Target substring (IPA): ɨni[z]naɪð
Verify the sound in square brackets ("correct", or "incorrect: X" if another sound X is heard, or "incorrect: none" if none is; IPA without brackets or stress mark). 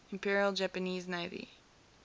correct